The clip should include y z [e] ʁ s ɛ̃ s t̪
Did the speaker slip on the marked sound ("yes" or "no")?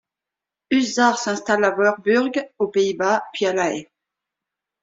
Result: yes